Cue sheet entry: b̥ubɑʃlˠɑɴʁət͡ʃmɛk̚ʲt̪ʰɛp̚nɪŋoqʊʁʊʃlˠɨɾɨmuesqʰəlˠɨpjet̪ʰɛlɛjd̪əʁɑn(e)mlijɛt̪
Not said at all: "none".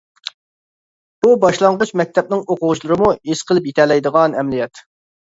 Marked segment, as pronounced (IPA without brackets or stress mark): ɛ